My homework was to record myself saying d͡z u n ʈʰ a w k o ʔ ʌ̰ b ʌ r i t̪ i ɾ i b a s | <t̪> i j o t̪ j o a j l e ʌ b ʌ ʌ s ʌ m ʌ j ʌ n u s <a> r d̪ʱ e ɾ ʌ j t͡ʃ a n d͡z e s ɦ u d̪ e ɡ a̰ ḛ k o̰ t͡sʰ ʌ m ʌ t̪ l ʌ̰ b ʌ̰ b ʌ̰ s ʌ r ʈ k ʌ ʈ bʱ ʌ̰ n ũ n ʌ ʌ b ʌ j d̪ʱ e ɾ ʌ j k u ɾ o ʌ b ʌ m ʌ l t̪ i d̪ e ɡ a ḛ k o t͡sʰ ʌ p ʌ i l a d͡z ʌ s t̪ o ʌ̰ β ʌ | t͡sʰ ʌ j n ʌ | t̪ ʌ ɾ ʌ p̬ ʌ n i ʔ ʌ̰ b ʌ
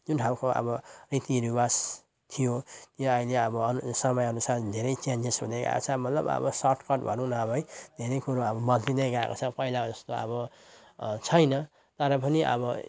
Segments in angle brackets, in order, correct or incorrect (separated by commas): incorrect, correct